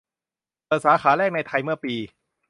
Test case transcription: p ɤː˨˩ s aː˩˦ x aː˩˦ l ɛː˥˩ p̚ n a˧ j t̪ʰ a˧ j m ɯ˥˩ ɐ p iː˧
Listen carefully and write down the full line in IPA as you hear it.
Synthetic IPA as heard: p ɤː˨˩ s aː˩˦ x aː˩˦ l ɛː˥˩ k̚ n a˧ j t̪ʰ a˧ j m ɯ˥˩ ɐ p iː˧

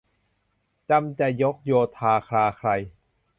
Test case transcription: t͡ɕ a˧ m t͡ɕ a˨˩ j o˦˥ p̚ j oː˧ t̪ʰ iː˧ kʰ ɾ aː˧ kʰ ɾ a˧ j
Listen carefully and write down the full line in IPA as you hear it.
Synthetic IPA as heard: t͡ɕ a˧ m t͡ɕ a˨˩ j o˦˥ k̚ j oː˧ t̪ʰ aː˧ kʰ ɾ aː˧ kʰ ɾ a˧ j

